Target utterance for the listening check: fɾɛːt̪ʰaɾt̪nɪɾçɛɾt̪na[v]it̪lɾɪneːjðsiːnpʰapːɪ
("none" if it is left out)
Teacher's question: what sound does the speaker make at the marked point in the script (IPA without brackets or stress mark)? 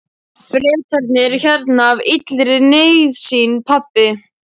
v